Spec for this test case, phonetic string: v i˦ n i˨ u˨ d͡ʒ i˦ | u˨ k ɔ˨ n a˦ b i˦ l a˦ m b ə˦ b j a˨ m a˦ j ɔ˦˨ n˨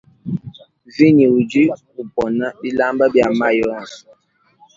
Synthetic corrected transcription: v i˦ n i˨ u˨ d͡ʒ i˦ | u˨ p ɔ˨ n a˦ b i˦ l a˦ m b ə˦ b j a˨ m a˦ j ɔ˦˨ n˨